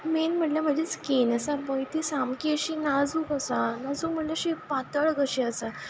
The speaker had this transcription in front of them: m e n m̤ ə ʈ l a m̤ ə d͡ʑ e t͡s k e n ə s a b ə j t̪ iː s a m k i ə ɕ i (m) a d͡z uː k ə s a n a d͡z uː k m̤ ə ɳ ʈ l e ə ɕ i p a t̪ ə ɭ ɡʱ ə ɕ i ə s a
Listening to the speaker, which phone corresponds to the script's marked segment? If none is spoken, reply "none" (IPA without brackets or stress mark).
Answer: n